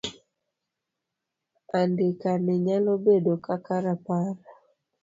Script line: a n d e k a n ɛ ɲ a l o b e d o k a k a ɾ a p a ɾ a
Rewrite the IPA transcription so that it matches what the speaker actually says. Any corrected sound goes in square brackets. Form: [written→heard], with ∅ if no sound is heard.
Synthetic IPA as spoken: a n d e k a n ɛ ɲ a l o b e d o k a k a ɾ a p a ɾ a